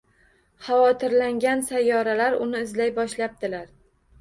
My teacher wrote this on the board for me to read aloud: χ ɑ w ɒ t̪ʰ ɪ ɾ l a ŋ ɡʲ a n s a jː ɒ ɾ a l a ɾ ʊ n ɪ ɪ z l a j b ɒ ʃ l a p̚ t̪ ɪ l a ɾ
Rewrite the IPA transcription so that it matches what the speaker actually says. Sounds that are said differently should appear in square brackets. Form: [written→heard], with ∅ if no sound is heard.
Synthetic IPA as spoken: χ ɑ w ɒ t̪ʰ ɪ ɾ l a ŋ ɡʲ a n s a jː ɒ ɾ a l a ɾ ʊ n ɪ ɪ z l a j b ɒ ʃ l a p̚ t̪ ɪ l a ɾ

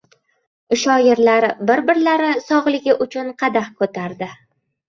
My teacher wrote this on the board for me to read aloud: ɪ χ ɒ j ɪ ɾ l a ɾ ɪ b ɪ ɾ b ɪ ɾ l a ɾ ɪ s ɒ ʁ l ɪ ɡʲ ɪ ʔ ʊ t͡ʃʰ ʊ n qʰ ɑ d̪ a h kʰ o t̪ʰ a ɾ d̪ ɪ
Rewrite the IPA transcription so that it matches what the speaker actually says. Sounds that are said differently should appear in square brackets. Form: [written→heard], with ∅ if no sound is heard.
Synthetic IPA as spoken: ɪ [χ→ʃ] ɒ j ɪ ɾ l a ɾ ɪ b ɪ ɾ b ɪ ɾ l a ɾ ɪ s ɒ ʁ l ɪ ɡʲ ɪ ʔ ʊ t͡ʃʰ ʊ n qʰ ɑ d̪ a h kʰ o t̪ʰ a ɾ d̪ ɪ

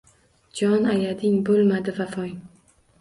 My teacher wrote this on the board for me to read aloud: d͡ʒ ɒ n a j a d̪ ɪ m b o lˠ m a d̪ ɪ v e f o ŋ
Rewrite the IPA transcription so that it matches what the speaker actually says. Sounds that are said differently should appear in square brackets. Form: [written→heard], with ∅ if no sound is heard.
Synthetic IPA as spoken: d͡ʒ ɒ n a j a d̪ ɪ [m→ŋ] b o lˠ m a d̪ ɪ v [e→a] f [o→ɒ] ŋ

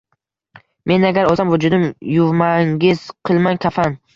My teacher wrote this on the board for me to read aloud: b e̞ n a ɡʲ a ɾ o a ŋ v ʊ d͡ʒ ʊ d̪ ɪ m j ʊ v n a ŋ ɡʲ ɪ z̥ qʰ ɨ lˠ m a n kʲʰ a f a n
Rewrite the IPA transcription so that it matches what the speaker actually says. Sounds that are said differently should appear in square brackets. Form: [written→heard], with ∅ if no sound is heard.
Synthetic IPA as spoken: [b→m] e̞ n a ɡʲ a ɾ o a [ŋ→m] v ʊ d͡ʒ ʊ d̪ ɪ m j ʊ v [n→m] a ŋ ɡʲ ɪ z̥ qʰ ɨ lˠ m a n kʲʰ a f a n

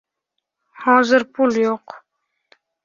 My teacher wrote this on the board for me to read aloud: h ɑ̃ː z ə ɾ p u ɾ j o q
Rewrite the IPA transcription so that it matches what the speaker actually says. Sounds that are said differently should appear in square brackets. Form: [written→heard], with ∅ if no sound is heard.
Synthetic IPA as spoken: h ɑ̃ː z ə ɾ p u [ɾ→l] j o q

